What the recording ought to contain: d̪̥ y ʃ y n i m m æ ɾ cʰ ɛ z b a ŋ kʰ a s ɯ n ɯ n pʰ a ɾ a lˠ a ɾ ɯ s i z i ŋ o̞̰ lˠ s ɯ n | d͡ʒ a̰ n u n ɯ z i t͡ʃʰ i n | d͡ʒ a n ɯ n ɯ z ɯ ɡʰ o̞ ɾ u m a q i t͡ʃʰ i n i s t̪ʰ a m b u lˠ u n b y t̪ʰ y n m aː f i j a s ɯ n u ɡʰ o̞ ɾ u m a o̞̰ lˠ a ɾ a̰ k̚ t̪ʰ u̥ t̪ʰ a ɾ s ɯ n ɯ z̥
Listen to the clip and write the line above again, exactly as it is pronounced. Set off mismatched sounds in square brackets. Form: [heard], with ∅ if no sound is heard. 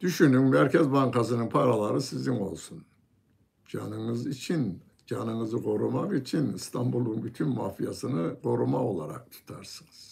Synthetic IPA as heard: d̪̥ y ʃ y n [y] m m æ ɾ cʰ ɛ z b a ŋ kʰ a s ɯ n ɯ n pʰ a ɾ a lˠ a ɾ ɯ s i z i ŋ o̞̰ lˠ s [u] n | d͡ʒ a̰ n [ɯ] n ɯ z i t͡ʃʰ i n | d͡ʒ a n ɯ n ɯ z ɯ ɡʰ o̞ ɾ u m a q i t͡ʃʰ i n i s t̪ʰ a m b u lˠ u n b y t̪ʰ y n m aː f i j a s ɯ n [ɯ] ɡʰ o̞ ɾ u m a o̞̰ lˠ a ɾ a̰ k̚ t̪ʰ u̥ t̪ʰ a ɾ s ɯ n ɯ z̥